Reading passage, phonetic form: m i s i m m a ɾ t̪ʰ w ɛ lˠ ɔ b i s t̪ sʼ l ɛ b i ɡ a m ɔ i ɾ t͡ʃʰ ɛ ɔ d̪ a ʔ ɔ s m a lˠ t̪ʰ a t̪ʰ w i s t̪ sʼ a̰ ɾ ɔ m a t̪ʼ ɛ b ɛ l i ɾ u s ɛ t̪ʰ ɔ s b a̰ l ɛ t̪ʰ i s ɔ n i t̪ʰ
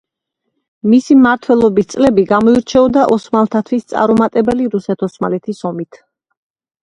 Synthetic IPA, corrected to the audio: m i s i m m a ɾ t̪ʰ w ɛ lˠ ɔ b i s t̪ sʼ l ɛ b i ɡ a m ɔ i ɾ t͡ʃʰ ɛ ɔ d̪ a ʔ ɔ s m a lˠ t̪ʰ a t̪ʰ w i s t̪ sʼ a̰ ɾ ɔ m a t̪ʼ ɛ b ɛ l i ɾ u s ɛ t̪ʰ ɔ s m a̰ l ɛ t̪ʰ i s ɔ m i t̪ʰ